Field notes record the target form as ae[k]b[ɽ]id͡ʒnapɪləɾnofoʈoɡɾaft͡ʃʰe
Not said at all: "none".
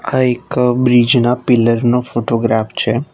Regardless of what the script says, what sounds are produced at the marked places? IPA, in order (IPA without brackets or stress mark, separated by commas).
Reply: k, ɾ